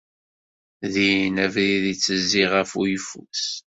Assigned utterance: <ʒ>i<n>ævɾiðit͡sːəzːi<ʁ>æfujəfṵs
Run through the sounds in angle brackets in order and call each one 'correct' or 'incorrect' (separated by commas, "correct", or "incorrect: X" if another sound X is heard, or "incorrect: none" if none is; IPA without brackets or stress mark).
incorrect: ð, correct, correct